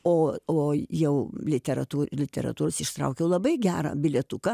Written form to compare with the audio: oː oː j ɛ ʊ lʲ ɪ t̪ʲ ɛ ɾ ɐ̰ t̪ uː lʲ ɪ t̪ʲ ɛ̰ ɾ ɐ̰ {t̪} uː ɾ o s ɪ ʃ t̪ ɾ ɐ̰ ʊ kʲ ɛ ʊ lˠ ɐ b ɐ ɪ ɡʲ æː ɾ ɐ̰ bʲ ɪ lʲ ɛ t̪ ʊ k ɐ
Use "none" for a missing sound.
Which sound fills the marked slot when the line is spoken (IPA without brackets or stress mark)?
t̪